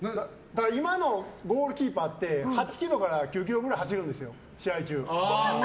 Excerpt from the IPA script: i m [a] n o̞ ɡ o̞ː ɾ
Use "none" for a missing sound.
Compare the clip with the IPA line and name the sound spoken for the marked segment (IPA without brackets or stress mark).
a